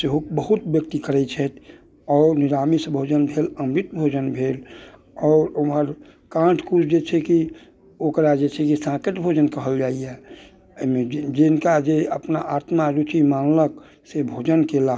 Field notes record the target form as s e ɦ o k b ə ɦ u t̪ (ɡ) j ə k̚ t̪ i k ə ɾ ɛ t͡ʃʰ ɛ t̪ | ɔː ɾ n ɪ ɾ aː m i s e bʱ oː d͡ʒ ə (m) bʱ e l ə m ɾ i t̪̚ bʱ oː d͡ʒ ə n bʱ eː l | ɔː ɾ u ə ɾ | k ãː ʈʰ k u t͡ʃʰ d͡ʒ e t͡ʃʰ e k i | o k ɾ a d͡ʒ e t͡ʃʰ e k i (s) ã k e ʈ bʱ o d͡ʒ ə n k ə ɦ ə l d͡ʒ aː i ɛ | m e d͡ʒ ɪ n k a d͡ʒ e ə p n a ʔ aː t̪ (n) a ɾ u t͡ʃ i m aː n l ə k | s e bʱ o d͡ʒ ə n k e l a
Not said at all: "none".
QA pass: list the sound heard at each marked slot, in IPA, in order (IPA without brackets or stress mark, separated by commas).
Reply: b, n, s, m